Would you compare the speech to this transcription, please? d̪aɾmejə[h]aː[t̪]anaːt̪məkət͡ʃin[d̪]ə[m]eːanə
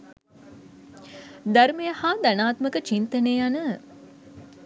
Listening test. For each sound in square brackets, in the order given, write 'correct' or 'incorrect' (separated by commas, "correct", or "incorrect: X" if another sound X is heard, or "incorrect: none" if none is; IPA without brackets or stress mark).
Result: correct, incorrect: d̪, incorrect: t̪, incorrect: n